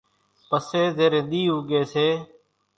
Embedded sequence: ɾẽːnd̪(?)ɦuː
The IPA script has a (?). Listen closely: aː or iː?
iː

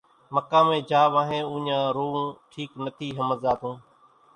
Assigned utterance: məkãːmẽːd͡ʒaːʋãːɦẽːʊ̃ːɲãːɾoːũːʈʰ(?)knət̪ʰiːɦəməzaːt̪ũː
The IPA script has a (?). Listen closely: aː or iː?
iː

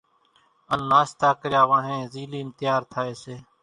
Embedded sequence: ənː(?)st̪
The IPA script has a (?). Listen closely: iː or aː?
aː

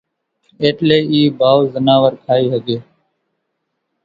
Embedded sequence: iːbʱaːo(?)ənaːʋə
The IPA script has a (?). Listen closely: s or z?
z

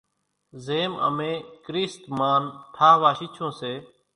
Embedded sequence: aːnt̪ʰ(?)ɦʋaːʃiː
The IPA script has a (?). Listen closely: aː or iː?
aː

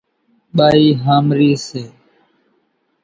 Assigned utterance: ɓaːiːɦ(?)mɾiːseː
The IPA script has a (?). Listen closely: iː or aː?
aː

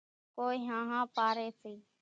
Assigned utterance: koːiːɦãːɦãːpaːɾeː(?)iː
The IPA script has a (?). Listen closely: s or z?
s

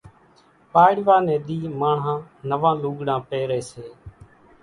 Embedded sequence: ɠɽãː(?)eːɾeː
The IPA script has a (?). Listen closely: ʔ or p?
p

